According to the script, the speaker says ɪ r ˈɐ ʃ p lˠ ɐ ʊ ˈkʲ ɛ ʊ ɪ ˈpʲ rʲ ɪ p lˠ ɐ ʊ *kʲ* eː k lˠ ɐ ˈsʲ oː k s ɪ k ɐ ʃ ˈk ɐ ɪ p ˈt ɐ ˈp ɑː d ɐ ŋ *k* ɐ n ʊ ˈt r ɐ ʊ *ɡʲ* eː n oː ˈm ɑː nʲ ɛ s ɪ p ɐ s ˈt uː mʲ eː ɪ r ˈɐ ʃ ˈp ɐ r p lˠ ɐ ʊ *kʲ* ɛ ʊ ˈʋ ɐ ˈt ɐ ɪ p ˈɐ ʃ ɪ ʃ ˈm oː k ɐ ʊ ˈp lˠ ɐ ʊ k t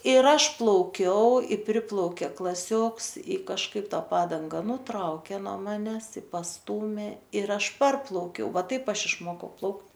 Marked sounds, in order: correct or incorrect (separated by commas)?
correct, incorrect, incorrect, correct